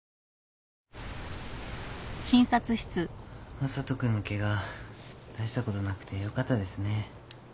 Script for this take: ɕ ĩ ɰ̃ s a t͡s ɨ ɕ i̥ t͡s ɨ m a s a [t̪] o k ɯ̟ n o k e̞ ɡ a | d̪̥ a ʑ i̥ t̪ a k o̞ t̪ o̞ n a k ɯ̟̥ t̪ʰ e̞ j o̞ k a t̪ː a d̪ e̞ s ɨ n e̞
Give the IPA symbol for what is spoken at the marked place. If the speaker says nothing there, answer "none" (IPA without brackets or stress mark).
t̪